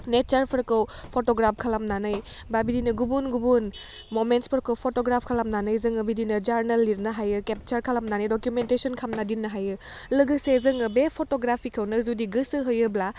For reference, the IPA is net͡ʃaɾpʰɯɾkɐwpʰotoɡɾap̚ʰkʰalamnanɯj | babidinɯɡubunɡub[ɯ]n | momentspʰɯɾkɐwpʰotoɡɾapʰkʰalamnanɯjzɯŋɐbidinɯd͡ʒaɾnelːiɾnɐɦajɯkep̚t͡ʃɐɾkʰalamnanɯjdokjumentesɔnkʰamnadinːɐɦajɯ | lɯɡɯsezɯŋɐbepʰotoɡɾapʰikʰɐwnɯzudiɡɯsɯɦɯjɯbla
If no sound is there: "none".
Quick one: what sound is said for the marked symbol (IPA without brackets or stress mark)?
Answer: u